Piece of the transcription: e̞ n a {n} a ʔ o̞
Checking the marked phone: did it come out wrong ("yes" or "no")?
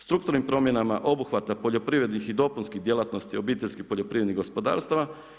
yes